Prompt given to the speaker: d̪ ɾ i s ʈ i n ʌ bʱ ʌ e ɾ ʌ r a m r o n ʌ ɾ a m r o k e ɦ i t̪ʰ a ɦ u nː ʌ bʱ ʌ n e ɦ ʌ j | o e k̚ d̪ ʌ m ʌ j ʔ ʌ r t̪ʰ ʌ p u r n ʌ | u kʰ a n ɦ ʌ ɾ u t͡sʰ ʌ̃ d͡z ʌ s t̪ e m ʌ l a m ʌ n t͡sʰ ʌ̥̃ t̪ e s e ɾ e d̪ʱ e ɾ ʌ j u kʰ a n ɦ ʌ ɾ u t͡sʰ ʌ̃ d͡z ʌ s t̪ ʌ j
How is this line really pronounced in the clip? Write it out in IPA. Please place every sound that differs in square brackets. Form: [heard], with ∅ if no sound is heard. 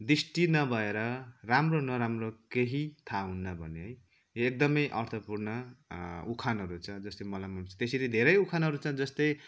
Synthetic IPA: d̪ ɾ i s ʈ i n ʌ bʱ ʌ e ɾ ʌ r a m r o n ʌ ɾ a m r o k e ɦ i t̪ʰ a ɦ u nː ʌ bʱ ʌ n e ɦ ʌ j | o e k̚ d̪ ʌ m ʌ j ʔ ʌ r t̪ʰ ʌ p u r n ʌ | u kʰ a n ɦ ʌ ɾ u t͡sʰ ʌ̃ d͡z ʌ s t̪ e m ʌ l a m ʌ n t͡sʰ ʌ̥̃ t̪ e s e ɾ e d̪ʱ e ɾ ʌ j u kʰ a n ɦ ʌ ɾ u t͡sʰ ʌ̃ d͡z ʌ s t̪ ʌ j